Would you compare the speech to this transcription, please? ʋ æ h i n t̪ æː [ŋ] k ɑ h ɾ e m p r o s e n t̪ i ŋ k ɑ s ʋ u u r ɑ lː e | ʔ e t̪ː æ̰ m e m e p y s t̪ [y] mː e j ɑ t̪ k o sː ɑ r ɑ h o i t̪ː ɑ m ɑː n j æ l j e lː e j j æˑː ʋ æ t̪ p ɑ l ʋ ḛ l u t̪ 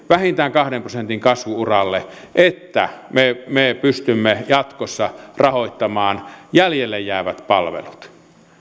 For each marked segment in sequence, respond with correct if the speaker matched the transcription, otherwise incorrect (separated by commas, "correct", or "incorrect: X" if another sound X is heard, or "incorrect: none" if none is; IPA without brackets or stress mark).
correct, correct